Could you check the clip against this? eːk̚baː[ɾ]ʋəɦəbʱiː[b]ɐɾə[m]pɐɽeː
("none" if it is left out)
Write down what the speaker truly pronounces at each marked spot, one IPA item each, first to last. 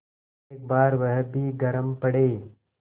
ɾ, ɡ, m

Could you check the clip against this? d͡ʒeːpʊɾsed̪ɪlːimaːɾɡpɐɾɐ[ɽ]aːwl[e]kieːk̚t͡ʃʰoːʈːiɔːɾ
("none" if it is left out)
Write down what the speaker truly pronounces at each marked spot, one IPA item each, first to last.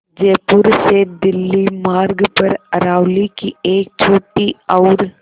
ɾ, i

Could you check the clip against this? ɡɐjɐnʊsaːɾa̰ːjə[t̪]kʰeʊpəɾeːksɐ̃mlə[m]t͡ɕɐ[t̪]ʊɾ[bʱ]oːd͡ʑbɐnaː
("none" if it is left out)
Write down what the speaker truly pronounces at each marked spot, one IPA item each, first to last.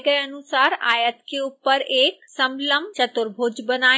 t̪, m, t̪, bʱ

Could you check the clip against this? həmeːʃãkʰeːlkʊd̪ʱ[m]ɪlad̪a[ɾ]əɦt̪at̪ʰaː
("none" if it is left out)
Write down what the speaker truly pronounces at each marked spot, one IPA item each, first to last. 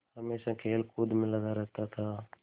m, ɾ

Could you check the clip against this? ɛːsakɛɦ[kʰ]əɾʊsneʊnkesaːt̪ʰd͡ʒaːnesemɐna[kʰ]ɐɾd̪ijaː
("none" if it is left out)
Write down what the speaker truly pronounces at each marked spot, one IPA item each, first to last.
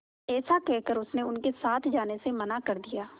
k, k

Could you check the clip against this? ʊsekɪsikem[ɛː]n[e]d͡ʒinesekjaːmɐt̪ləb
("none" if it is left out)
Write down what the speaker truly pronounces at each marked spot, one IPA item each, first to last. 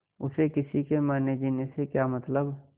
aː, e

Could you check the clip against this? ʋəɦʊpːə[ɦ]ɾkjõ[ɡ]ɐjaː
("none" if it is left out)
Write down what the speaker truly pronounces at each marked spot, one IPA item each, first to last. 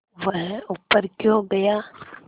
none, ɡ

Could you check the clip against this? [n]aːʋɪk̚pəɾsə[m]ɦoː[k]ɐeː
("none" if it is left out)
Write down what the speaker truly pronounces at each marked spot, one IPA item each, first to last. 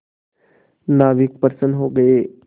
n, n, ɡ

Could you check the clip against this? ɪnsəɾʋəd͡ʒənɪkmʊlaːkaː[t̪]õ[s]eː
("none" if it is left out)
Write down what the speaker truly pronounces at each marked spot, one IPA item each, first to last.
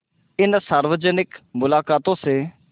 t̪, s

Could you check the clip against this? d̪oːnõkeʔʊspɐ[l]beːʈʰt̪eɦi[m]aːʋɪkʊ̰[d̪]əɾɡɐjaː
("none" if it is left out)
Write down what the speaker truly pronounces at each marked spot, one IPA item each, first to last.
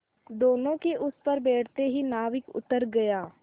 ɾ, n, t̪

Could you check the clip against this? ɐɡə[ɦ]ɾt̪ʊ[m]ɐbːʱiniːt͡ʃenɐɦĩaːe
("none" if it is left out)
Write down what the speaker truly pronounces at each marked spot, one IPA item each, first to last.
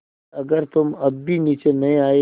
none, m

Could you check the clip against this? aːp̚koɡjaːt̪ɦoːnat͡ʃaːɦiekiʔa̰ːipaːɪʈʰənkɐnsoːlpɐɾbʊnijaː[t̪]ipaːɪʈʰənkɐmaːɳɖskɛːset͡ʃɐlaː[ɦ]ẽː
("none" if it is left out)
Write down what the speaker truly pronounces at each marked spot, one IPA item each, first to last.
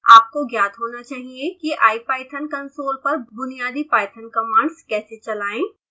d̪, none

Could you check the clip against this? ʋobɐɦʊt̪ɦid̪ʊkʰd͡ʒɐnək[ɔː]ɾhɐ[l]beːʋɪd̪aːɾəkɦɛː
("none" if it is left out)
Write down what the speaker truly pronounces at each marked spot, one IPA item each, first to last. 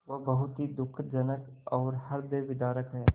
ɔː, ɾ

